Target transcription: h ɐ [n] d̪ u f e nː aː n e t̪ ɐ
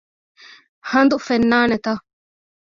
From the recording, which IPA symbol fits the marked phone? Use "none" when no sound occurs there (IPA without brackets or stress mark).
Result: n